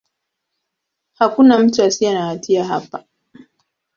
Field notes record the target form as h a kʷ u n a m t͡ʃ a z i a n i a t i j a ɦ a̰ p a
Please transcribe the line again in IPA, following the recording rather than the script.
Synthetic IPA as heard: h a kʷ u n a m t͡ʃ a s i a n a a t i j a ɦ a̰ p a